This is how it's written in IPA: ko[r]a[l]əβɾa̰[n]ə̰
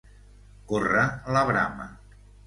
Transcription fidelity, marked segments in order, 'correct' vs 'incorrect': correct, correct, incorrect

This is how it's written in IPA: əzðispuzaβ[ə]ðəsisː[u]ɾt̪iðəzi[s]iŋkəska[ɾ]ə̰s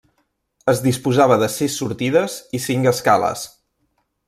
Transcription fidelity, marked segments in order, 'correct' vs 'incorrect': correct, correct, correct, incorrect

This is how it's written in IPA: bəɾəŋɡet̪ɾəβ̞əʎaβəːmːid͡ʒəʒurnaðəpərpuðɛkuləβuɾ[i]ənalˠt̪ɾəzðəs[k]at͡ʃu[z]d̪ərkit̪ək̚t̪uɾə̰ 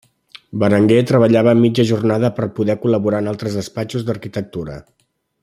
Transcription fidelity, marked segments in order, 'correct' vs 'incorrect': incorrect, incorrect, correct

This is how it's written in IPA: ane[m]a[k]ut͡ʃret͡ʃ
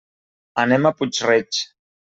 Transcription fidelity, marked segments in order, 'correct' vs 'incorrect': correct, incorrect

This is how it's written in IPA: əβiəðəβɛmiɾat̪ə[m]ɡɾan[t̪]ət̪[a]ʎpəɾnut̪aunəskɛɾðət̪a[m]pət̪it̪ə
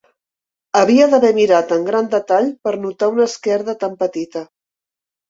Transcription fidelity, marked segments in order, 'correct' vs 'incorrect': incorrect, incorrect, correct, correct

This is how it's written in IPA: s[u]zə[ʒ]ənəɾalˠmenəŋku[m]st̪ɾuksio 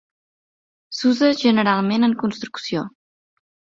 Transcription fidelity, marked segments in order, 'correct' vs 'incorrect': correct, correct, incorrect

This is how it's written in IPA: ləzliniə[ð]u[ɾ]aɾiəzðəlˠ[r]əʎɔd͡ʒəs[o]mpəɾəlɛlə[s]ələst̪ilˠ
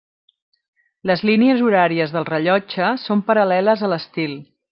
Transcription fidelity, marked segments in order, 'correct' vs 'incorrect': incorrect, correct, correct, correct, incorrect

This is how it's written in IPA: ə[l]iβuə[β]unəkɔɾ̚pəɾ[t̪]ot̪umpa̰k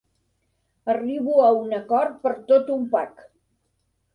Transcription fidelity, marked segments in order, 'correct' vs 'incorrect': incorrect, incorrect, correct

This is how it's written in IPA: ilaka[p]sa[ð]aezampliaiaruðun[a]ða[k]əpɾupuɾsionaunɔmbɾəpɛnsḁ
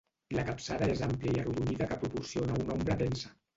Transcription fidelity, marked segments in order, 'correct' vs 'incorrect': correct, correct, incorrect, correct

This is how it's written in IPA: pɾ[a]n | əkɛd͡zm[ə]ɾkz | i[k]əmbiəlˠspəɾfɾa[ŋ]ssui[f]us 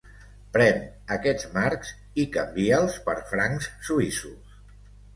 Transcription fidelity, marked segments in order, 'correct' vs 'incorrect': incorrect, incorrect, correct, correct, incorrect

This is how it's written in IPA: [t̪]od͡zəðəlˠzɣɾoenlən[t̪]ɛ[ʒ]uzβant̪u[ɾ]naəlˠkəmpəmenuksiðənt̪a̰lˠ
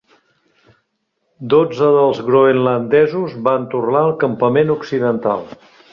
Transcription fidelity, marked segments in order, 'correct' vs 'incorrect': incorrect, incorrect, incorrect, incorrect

